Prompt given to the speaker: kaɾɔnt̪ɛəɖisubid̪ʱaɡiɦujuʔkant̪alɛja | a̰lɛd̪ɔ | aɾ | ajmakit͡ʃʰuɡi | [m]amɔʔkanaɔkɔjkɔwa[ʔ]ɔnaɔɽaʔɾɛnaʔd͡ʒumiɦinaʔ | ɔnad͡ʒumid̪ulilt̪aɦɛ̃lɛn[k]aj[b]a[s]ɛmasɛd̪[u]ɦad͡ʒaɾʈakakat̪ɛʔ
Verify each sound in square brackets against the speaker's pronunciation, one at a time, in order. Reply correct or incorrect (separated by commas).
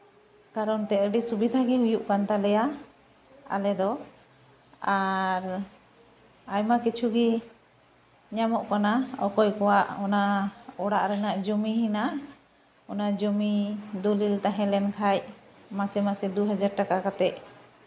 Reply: incorrect, correct, incorrect, incorrect, correct, correct